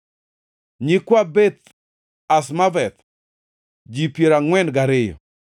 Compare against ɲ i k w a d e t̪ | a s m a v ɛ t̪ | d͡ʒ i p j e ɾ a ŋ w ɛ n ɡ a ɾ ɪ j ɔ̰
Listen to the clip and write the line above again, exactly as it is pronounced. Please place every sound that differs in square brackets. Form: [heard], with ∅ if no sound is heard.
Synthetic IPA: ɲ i k w a [b] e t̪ | a s m a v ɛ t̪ | d͡ʒ i p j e ɾ a ŋ w ɛ n ɡ a ɾ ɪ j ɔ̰